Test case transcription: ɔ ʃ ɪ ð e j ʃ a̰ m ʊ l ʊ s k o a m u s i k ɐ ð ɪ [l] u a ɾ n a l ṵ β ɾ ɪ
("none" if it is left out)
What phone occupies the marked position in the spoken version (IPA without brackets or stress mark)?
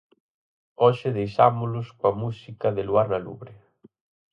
l